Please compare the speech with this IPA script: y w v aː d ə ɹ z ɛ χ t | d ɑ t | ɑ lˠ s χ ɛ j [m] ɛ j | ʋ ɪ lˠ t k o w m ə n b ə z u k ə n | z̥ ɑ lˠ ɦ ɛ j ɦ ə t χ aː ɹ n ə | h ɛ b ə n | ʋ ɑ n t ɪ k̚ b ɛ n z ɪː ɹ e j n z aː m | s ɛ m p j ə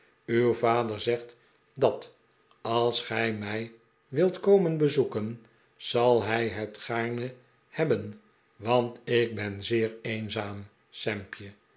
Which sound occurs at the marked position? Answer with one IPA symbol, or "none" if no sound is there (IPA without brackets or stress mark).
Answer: m